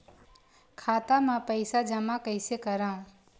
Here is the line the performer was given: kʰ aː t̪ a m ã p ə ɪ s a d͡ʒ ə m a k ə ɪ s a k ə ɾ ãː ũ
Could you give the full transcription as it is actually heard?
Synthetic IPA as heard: kʰ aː t̪ a m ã p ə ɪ s a d͡ʒ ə m a k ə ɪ s e k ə ɾ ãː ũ

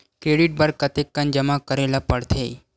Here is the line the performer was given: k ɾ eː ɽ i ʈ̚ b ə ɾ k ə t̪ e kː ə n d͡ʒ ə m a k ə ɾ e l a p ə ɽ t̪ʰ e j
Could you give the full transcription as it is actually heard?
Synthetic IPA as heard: k ɾ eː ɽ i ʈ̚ b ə ɾ k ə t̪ e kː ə n d͡ʒ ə m a k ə ɾ e l a p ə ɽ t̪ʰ e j

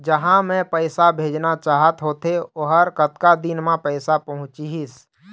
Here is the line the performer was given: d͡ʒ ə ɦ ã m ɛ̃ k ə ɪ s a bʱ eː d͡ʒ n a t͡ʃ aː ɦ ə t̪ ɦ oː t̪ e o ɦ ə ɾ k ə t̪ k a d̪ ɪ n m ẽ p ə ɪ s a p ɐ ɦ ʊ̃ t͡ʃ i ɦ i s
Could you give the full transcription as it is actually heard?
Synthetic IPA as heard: d͡ʒ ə ɦ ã m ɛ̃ p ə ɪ s a bʱ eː d͡ʒ n a t͡ʃ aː ɦ ə t̪ ɦ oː t̪ e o ɦ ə ɾ k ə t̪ k a d̪ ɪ n m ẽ p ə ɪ s a p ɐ ɦ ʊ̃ t͡ʃ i ɦ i s

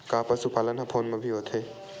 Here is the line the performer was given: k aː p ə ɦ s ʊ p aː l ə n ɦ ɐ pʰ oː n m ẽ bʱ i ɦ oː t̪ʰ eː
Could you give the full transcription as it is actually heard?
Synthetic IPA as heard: k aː p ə s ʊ p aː l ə n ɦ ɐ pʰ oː n m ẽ bʱ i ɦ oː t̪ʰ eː

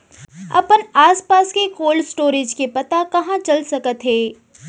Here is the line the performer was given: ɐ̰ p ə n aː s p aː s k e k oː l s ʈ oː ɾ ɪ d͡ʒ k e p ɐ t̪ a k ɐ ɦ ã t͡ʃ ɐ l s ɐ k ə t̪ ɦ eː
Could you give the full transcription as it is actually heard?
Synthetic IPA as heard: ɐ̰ p ə n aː s p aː s k e k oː l s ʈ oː ɾ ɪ d͡ʒ k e p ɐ t̪ a k ɐ ɦ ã t͡ʃ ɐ l s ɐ k ə t̪ ɦ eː

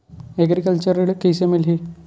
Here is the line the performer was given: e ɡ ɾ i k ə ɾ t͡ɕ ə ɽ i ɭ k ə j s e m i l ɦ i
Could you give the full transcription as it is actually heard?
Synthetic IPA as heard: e ɡ ɾ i k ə l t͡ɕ ə ɾ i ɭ k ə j s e m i l ɦ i

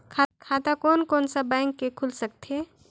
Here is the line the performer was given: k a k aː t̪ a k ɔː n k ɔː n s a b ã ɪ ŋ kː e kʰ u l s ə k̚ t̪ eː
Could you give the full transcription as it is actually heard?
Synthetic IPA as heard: kʰ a kʰ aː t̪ a k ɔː n k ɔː n s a b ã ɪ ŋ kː e kʰ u l s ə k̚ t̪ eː

